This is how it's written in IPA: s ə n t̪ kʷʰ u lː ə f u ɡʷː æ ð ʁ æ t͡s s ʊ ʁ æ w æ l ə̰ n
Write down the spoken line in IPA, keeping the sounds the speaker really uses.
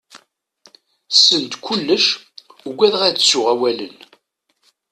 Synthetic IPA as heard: s ə n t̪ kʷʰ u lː ə ʃ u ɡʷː æ ð ʁ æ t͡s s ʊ ʁ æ w æ l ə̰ n